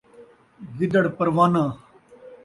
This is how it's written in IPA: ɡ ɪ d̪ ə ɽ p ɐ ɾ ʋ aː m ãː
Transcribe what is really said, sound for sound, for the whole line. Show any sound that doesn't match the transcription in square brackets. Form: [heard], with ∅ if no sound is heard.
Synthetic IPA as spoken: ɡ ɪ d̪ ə ɽ p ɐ ɾ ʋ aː [n] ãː